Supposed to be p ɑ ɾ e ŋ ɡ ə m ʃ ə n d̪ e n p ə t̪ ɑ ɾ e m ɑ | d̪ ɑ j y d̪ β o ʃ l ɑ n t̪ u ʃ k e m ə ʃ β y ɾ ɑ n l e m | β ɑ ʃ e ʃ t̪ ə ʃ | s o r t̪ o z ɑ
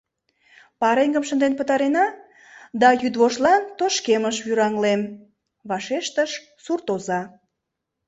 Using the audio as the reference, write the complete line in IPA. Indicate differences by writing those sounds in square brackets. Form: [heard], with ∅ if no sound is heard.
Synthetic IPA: p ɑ ɾ e ŋ ɡ ə m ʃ ə n d̪ e n p ə t̪ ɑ ɾ e [n] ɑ | d̪ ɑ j y d̪ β o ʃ l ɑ n t̪ [o] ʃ k e m ə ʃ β y ɾ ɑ [ŋ] l e m | β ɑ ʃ e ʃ t̪ ə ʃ | s [u] r t̪ o z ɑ